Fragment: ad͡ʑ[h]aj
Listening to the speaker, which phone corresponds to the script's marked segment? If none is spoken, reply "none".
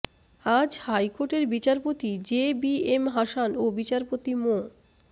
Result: h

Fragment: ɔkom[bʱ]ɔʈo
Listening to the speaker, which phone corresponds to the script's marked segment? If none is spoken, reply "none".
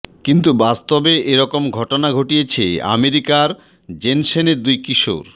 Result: ɡʱ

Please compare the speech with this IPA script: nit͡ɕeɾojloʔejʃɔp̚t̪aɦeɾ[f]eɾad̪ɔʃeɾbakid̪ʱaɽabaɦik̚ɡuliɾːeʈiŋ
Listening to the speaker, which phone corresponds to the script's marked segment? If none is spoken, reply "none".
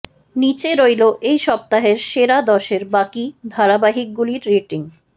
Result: ʃ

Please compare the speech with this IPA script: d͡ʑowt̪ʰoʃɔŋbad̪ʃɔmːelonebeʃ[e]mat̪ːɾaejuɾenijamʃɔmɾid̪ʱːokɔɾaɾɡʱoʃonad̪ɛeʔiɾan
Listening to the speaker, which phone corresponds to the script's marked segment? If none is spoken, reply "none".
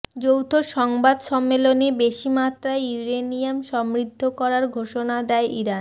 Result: i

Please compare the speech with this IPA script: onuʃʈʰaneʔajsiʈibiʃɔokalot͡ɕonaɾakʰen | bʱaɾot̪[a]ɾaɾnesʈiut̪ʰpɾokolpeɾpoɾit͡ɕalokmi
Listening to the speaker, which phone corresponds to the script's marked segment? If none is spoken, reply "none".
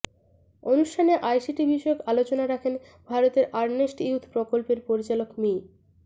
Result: e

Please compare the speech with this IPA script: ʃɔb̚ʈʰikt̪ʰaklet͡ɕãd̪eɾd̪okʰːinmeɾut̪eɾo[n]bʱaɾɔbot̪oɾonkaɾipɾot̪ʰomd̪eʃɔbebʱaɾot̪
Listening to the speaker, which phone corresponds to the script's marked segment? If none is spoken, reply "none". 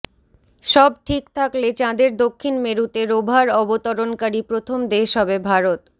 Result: none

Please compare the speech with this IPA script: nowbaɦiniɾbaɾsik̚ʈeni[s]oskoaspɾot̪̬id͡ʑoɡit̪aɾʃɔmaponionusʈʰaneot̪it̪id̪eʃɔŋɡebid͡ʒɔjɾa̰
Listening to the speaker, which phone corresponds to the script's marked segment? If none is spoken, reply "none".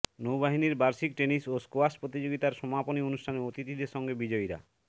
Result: s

